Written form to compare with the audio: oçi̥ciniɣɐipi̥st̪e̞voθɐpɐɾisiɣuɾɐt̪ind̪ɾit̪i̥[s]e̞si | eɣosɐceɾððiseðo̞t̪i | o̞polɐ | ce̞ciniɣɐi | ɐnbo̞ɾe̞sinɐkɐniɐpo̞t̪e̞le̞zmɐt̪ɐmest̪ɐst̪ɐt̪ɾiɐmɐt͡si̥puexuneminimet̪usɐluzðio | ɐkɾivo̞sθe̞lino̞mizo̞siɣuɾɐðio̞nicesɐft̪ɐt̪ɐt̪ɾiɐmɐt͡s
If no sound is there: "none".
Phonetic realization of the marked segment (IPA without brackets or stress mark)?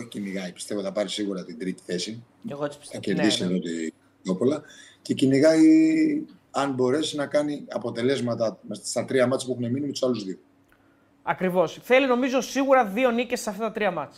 θ